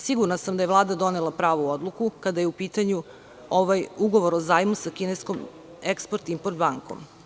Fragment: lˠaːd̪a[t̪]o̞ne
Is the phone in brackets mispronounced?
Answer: yes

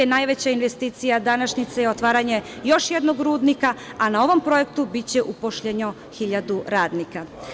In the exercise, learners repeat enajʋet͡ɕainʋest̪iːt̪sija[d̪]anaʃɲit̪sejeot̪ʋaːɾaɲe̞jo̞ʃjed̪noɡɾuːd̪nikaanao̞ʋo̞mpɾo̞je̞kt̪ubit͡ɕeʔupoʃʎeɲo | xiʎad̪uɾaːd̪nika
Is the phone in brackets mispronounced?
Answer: no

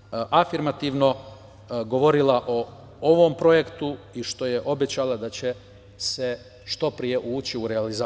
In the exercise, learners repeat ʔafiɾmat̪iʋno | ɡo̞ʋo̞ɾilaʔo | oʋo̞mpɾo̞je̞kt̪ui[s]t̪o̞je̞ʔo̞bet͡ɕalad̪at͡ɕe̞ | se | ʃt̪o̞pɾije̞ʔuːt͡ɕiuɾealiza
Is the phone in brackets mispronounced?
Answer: yes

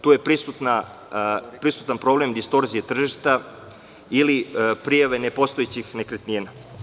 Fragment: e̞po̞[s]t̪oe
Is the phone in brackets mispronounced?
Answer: no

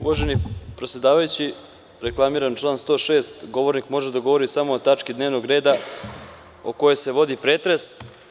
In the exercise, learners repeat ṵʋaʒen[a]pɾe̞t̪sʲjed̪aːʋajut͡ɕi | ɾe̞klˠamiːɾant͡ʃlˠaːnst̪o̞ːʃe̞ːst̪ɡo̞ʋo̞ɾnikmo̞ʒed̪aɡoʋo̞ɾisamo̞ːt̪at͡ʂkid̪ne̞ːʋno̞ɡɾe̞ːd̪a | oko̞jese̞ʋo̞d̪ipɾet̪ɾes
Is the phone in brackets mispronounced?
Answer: yes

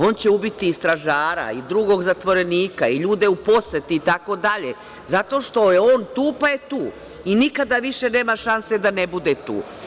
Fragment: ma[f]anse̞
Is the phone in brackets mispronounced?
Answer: yes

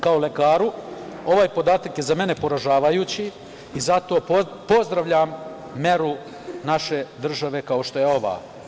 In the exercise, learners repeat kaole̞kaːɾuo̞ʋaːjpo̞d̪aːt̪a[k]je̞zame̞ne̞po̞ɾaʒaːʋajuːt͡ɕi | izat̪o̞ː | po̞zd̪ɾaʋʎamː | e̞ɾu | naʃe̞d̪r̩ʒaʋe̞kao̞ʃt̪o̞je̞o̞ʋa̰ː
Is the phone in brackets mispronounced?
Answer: no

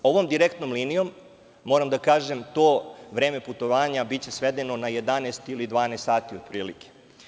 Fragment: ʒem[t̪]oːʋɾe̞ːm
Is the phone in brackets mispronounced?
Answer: no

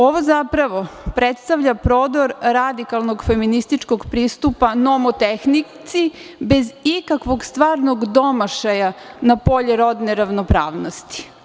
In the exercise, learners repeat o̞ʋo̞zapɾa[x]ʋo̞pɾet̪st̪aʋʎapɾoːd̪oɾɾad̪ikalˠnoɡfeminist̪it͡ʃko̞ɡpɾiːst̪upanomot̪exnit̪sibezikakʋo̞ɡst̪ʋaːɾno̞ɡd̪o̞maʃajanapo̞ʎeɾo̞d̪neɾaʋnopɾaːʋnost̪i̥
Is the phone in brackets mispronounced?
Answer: yes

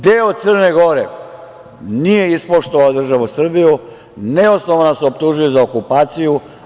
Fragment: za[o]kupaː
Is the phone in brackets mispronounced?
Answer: no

